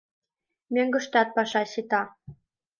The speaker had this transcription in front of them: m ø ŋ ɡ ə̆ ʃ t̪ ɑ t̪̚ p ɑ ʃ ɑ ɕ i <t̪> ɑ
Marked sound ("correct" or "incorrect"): correct